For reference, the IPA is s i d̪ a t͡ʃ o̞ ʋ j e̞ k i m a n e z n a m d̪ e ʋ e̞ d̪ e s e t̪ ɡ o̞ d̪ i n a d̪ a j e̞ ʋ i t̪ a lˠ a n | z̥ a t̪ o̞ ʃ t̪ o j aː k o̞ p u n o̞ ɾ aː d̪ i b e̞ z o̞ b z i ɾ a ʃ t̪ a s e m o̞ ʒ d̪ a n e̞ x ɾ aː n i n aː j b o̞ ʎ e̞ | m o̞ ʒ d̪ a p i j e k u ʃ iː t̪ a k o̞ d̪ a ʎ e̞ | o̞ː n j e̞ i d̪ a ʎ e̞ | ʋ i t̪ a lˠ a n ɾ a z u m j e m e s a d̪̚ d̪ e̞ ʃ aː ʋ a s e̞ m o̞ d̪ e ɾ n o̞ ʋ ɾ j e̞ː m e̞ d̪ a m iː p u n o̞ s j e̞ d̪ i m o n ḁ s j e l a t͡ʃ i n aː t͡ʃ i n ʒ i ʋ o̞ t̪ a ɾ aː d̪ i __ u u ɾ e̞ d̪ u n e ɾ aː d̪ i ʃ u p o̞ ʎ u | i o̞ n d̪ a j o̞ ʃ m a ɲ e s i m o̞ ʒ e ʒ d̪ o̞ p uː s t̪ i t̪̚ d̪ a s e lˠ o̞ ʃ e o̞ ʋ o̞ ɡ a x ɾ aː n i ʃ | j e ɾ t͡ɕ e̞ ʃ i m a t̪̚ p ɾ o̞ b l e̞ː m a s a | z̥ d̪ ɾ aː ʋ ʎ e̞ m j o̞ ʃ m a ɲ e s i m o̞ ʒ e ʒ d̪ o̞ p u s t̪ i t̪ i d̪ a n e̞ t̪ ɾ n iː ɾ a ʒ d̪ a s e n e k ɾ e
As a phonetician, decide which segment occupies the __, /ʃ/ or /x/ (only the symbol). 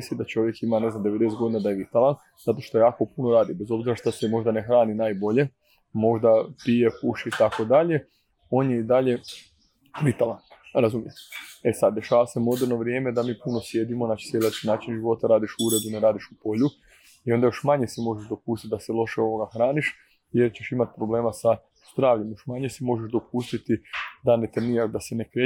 ʃ